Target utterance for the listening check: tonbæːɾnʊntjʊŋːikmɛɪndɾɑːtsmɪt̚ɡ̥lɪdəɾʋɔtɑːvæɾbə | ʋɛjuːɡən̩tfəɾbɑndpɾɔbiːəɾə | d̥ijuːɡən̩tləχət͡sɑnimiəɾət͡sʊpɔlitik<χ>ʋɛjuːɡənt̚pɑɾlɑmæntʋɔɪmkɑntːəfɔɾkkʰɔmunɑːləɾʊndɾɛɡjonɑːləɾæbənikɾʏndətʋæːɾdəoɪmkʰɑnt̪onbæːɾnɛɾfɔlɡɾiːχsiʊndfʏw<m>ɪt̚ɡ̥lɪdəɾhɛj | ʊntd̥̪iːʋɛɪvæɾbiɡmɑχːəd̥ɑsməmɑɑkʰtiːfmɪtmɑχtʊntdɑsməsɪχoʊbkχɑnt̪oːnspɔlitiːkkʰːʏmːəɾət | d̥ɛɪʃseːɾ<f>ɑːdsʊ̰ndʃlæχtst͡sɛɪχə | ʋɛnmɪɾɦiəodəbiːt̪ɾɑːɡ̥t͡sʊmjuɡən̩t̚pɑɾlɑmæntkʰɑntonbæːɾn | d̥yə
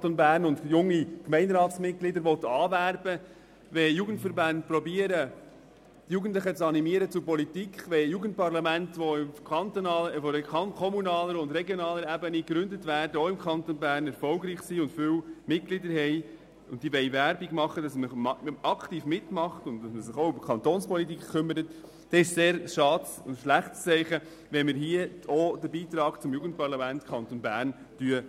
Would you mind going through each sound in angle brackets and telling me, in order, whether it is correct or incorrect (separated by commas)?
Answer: correct, correct, incorrect